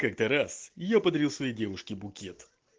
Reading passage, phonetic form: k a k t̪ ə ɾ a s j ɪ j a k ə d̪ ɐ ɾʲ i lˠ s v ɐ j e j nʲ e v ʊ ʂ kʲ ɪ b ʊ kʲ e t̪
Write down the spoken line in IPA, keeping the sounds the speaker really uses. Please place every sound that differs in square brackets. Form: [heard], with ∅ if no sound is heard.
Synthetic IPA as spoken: k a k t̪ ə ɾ a s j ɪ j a [p] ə d̪ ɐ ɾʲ i lˠ s v ɐ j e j [dʲ] e v ʊ ʂ kʲ ɪ b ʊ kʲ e t̪

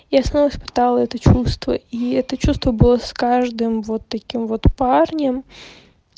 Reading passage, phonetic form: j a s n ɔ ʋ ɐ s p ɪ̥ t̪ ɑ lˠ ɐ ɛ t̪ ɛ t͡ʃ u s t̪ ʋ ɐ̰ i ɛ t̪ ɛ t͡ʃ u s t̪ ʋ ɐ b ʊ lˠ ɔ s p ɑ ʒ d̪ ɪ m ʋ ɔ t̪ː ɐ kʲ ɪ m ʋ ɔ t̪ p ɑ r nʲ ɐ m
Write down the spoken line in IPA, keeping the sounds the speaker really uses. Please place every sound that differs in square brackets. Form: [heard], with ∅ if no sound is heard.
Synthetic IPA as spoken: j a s n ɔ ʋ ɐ s p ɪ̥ t̪ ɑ lˠ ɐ ɛ t̪ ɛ t͡ʃ u s t̪ ʋ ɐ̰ i ɛ t̪ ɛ t͡ʃ u s t̪ ʋ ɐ b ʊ lˠ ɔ s [k] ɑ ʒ d̪ ɪ m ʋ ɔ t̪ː ɐ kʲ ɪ m ʋ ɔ t̪ p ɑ r nʲ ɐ m

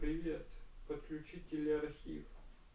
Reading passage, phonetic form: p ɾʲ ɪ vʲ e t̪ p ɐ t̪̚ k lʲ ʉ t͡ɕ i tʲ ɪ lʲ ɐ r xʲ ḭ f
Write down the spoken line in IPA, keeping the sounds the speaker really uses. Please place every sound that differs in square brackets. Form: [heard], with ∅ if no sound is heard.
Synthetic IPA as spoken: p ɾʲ ɪ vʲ e t̪ p [ə] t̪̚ k lʲ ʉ t͡ɕ i tʲ ɪ lʲ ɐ r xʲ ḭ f

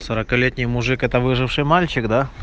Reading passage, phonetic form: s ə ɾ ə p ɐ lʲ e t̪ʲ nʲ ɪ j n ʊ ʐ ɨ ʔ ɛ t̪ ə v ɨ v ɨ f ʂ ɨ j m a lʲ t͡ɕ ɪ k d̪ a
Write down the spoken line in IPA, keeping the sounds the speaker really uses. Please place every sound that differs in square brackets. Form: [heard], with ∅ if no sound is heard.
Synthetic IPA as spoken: s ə ɾ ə [k] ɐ lʲ e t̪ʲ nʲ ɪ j [m] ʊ ʐ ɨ [k] ɛ t̪ ə v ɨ [ʐ] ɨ f ʂ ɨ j m a lʲ t͡ɕ ɪ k d̪ a

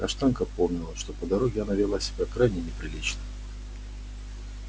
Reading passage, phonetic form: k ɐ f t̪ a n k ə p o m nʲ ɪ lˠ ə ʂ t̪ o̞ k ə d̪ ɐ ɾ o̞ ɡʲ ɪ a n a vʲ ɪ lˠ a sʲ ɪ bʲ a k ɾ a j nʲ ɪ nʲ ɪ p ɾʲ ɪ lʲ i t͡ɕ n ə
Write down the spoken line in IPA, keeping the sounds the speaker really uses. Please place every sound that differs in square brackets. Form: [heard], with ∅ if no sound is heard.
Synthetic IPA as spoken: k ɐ [ʂ] t̪ a n k ə p o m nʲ ɪ lˠ ə ʂ t̪ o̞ [p] ə d̪ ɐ ɾ o̞ ɡʲ ɪ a n a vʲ ɪ lˠ a sʲ ɪ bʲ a k ɾ a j nʲ ɪ nʲ ɪ p ɾʲ ɪ lʲ i t͡ɕ n ə

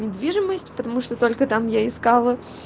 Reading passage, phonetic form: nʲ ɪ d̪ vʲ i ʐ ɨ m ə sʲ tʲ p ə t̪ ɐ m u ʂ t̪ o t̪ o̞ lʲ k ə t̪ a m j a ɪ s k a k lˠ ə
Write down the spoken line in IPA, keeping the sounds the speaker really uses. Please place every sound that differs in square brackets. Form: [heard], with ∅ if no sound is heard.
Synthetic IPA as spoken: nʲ ɪ d̪ vʲ i ʐ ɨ m ə sʲ tʲ p ə t̪ ɐ m u ʂ t̪ o t̪ o̞ lʲ k ə t̪ a m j a ɪ s k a [∅] lˠ ə

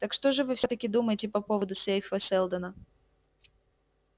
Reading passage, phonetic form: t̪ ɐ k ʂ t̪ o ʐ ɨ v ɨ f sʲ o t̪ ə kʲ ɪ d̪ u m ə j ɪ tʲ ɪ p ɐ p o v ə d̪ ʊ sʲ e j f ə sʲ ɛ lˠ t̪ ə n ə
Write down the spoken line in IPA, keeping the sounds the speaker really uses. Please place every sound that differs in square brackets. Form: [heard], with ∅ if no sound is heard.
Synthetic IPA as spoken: t̪ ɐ k ʂ t̪ o ʐ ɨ v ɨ f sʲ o t̪ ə kʲ ɪ d̪ u m ə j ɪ tʲ ɪ p ɐ p o v ə d̪ ʊ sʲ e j f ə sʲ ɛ lˠ [d̪] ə n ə

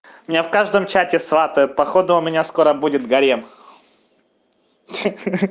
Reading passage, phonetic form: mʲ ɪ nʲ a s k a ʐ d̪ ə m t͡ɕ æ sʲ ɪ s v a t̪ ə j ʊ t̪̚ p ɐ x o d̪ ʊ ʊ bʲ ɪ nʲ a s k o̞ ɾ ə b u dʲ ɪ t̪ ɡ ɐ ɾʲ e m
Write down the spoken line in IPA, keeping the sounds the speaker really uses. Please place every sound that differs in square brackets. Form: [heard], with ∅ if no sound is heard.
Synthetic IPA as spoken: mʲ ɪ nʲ a [f] k a ʐ d̪ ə m t͡ɕ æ [tʲ] ɪ s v a t̪ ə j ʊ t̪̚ p ɐ x o d̪ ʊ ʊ [mʲ] ɪ nʲ a s k o̞ ɾ ə b u dʲ ɪ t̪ ɡ ɐ ɾʲ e m

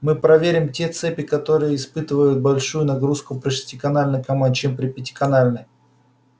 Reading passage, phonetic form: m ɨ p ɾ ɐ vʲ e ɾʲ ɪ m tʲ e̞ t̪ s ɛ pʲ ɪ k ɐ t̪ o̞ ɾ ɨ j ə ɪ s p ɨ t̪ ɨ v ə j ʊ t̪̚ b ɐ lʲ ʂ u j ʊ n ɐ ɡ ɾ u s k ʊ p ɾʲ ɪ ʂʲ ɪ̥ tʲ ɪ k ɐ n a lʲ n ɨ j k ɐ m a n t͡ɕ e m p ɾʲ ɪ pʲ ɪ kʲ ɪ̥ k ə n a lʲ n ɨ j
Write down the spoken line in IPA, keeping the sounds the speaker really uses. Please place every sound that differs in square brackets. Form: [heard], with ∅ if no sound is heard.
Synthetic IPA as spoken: m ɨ p ɾ ɐ vʲ e ɾʲ ɪ m tʲ e̞ t̪ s ɛ pʲ ɪ k ɐ t̪ o̞ ɾ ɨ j ə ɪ s p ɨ t̪ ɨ v ə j ʊ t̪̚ b ɐ lʲ ʂ u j ʊ n ɐ ɡ ɾ u s k ʊ p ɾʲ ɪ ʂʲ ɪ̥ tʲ ɪ k ɐ n a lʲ n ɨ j k ɐ m a n t͡ɕ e m p ɾʲ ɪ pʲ ɪ [tʲ] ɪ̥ k [ɐ] n a lʲ n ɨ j

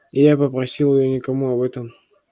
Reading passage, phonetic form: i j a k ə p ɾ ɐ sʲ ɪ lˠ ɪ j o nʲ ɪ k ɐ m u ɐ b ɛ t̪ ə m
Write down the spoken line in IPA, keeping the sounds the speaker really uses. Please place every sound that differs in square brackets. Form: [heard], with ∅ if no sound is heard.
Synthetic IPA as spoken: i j a [p] ə p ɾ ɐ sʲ [i] lˠ ɪ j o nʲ ɪ k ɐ m u ɐ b ɛ t̪ ə m

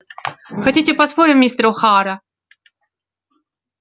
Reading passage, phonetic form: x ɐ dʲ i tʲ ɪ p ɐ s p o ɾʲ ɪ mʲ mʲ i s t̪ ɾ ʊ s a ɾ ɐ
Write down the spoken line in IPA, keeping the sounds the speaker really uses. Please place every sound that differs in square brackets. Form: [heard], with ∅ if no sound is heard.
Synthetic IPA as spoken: x ɐ [tʲ] i tʲ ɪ p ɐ s p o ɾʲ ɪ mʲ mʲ i s t̪ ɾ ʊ [x] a ɾ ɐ

